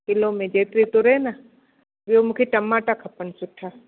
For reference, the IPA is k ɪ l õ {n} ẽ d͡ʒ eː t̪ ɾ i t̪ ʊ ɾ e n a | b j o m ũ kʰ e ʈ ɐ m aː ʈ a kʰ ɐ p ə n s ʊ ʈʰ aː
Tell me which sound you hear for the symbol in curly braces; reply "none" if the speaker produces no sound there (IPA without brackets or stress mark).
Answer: m